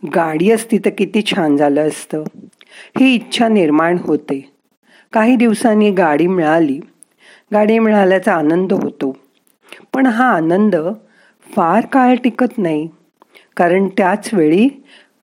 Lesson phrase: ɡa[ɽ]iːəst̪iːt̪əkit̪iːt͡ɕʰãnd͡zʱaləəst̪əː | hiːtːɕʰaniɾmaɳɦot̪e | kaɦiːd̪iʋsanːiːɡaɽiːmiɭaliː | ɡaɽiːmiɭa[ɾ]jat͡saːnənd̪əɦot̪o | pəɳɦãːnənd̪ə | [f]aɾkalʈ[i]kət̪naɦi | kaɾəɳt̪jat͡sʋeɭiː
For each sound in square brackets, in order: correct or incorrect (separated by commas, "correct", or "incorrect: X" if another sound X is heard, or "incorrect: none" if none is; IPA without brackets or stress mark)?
correct, incorrect: l, correct, correct